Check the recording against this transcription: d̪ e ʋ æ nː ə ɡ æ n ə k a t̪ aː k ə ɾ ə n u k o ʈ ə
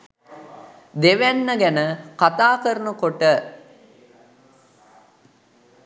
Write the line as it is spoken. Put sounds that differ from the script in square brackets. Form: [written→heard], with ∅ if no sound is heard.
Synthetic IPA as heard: d̪ e ʋ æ nː ə ɡ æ n ə k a t̪ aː k ə ɾ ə n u k o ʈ ə